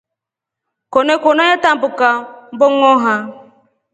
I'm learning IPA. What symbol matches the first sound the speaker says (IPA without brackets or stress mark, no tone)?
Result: k